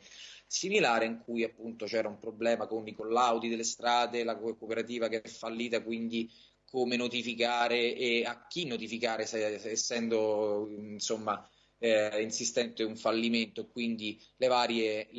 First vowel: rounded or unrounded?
unrounded